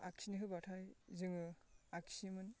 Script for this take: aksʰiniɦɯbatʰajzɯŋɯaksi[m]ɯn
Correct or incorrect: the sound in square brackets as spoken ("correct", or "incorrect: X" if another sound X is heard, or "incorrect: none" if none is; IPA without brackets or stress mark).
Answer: correct